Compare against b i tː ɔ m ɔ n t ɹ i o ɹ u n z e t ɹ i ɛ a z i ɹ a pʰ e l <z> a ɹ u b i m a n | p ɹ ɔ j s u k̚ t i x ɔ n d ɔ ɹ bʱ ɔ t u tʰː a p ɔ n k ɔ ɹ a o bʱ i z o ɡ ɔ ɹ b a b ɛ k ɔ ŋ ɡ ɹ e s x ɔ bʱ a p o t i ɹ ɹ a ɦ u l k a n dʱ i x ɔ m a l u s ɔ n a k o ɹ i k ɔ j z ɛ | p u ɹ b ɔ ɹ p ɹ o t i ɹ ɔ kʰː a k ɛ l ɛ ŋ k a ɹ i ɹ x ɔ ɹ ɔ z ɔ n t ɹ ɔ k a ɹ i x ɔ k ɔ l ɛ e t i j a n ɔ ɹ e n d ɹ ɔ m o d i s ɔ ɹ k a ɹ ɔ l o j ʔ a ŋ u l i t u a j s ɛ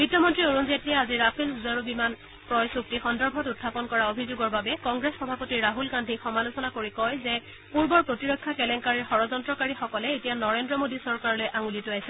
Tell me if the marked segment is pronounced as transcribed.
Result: yes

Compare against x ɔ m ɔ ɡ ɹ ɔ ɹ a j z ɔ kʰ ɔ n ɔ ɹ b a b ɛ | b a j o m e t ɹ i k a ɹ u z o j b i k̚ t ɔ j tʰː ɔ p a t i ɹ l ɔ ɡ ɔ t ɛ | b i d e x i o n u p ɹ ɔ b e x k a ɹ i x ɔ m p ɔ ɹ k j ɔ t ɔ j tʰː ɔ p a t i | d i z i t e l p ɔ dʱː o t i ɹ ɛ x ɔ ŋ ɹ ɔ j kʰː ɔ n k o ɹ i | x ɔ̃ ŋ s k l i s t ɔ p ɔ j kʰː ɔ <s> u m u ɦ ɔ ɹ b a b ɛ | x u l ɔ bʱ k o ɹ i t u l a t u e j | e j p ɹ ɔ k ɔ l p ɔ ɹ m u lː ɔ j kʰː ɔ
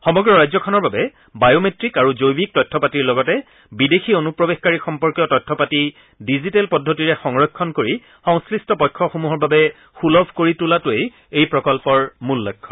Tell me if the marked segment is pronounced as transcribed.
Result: no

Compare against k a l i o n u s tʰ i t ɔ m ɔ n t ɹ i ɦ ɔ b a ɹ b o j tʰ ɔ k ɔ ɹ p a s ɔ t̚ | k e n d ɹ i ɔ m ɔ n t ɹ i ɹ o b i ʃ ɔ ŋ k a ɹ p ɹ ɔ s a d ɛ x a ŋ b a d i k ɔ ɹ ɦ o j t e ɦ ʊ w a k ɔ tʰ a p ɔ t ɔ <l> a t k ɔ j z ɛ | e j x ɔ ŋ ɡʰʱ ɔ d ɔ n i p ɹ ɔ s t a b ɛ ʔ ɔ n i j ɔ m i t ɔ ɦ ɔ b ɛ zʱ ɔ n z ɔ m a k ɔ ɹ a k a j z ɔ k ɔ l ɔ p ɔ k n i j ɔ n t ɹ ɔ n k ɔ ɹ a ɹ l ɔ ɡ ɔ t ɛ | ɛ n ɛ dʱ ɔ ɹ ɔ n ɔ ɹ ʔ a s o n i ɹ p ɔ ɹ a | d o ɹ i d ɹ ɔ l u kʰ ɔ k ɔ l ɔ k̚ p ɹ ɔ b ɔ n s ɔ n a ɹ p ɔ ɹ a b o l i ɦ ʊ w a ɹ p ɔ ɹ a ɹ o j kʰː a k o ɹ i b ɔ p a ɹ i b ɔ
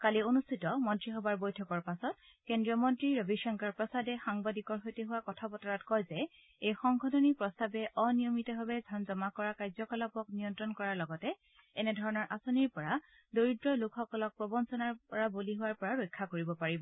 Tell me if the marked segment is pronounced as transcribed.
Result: no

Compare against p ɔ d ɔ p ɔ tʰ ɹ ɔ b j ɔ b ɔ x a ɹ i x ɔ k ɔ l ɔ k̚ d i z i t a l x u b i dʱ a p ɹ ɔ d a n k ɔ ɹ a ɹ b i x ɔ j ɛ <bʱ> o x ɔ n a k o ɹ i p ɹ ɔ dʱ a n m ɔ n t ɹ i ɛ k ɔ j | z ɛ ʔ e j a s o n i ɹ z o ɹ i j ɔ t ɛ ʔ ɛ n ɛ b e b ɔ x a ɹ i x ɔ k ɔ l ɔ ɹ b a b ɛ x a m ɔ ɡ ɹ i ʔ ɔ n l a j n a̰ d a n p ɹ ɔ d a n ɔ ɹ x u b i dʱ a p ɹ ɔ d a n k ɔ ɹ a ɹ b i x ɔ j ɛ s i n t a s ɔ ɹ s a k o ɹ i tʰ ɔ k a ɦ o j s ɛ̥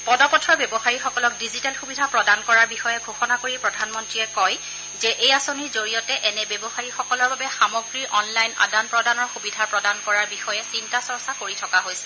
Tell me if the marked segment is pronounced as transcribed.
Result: no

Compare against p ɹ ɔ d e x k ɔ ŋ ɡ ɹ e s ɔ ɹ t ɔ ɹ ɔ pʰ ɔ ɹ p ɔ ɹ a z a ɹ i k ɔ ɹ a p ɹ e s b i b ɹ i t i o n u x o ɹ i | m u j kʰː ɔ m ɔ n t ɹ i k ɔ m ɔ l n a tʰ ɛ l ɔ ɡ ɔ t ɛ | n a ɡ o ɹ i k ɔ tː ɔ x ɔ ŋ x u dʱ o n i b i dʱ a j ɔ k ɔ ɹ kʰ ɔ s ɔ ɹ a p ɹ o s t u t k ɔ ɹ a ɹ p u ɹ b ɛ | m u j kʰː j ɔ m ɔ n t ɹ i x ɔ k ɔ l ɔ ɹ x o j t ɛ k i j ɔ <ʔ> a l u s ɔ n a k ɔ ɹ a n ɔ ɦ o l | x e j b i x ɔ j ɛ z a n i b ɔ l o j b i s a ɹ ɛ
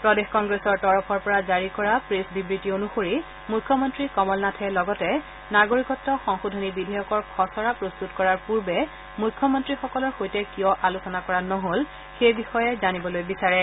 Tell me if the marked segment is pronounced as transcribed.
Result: yes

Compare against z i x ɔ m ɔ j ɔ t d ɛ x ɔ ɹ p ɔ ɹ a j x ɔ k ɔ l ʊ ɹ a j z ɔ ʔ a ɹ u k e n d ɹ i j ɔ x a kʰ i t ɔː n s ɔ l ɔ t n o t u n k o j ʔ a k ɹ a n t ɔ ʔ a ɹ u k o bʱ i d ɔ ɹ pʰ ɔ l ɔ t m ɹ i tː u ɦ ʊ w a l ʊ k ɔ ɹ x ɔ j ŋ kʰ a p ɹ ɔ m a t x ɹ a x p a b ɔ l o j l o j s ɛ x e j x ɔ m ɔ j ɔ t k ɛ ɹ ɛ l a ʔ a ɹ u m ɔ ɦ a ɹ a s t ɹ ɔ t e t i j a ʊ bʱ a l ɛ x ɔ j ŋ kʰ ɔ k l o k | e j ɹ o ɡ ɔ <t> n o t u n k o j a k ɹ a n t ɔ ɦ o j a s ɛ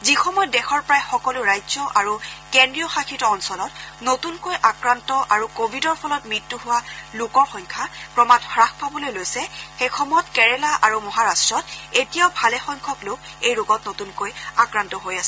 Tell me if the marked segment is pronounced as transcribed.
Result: yes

